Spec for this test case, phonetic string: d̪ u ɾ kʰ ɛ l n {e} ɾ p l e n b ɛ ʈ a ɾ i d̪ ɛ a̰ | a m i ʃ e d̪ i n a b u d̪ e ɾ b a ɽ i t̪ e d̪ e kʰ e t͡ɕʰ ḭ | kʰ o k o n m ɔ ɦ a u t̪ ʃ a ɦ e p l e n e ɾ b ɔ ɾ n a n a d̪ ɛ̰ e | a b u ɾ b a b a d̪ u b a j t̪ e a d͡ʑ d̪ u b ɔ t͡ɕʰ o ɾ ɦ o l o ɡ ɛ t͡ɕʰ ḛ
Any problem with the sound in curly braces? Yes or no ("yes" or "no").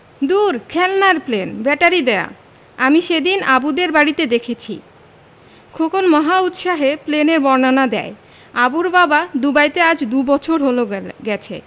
yes